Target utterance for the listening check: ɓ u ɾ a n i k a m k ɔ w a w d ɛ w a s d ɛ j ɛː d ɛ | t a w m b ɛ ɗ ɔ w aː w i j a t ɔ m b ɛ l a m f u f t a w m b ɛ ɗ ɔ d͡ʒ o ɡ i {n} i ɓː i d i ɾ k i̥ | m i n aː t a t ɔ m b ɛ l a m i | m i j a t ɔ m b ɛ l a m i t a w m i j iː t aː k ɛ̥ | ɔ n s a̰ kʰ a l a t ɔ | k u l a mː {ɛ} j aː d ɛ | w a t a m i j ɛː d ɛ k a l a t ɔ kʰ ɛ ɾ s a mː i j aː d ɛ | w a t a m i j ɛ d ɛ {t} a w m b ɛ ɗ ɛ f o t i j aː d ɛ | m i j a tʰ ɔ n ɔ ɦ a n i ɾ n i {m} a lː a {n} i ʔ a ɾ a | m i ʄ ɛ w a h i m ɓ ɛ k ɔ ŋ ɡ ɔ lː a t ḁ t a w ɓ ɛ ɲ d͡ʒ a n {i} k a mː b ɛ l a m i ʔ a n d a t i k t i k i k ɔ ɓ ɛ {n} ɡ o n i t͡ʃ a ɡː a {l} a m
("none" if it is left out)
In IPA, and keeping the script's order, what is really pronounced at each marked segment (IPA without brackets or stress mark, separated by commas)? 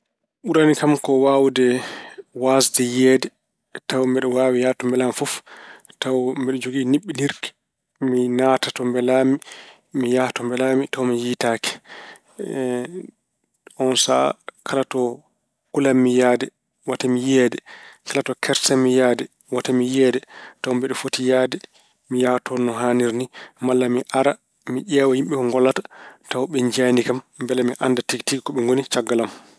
n, i, t, m, m, i, ŋ, l